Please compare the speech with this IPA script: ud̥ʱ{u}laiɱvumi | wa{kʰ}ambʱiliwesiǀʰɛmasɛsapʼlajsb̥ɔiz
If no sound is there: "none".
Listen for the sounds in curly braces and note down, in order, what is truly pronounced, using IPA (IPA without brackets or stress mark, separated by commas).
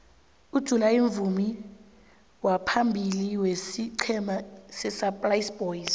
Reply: u, pʰ